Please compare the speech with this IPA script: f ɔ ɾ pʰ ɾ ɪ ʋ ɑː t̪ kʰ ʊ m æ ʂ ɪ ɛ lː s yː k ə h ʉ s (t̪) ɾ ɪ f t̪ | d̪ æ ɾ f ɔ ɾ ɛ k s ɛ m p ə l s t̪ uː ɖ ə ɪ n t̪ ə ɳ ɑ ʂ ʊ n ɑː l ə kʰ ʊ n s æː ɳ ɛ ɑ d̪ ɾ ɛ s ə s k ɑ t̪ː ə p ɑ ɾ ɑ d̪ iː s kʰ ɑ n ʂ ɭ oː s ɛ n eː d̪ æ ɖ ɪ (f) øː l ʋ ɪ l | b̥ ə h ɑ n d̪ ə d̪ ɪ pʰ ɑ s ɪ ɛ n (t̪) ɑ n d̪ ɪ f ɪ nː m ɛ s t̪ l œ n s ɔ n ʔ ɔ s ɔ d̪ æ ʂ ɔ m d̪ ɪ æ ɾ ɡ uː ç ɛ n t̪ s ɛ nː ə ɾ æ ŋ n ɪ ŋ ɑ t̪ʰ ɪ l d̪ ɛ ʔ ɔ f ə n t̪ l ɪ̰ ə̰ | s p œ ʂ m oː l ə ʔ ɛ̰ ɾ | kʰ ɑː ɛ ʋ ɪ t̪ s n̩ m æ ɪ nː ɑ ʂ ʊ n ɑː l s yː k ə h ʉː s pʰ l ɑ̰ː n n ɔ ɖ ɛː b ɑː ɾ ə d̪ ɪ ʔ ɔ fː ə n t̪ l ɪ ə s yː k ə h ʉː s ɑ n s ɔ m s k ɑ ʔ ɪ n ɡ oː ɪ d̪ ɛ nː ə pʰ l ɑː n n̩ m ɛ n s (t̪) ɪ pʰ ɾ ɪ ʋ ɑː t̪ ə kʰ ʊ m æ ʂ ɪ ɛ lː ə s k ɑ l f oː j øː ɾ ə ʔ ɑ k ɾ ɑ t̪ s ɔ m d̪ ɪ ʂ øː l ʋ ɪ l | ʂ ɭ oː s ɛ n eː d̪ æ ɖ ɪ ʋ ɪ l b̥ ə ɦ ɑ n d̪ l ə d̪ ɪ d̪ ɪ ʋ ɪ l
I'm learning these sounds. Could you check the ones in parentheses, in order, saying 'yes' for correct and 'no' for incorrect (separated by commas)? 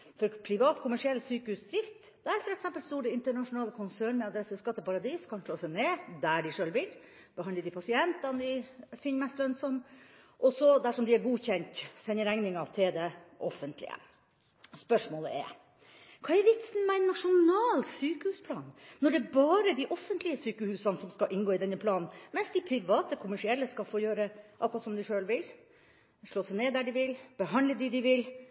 no, no, yes, no